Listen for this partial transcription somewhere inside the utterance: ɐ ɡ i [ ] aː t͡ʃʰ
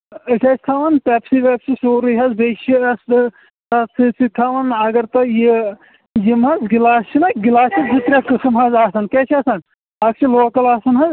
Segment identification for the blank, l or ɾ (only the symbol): l